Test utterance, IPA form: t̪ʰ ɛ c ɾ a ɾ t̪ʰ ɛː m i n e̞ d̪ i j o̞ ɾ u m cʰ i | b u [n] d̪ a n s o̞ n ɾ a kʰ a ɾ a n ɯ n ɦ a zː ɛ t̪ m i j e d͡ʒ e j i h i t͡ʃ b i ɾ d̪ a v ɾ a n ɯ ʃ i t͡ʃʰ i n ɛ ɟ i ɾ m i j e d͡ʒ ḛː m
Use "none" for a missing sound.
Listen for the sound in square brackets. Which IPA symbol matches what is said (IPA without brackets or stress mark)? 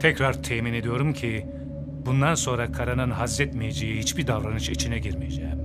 n